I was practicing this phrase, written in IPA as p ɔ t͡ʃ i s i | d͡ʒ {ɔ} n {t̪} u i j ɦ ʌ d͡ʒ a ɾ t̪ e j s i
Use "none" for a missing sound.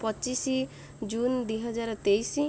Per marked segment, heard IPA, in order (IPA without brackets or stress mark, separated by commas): u, d̪